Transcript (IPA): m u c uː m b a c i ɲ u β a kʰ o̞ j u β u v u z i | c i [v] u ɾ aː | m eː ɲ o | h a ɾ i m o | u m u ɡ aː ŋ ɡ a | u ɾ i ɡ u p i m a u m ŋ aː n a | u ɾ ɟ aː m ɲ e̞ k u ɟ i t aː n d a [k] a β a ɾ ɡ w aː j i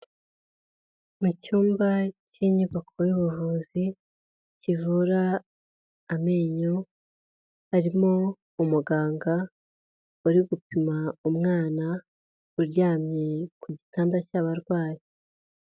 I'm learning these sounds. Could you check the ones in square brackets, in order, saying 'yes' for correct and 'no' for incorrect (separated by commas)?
yes, no